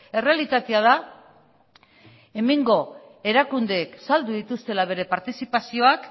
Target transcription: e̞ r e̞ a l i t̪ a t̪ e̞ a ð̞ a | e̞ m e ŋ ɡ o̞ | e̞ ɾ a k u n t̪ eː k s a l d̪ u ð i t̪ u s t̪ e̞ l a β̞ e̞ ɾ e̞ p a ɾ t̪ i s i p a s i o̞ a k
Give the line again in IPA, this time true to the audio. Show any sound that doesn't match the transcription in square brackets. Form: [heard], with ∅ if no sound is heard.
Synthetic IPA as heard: e̞ r e̞ a l i t̪ a t̪ e̞ a ð̞ a | e̞ m e ŋ ɡ o̞ | e̞ ɾ a k u n [d̪] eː k s a l d̪ u ð i t̪ u s t̪ e̞ l a β̞ e̞ ɾ e̞ p a ɾ t̪ i s i p a s i o̞ a k